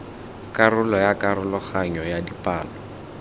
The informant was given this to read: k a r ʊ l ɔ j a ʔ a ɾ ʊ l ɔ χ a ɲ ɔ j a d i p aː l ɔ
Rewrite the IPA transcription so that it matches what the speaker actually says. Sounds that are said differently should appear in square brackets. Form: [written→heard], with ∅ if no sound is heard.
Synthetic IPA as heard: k a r ʊ l ɔ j a [ʔ→k] a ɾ ʊ l ɔ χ a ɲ ɔ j a d i p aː l ɔ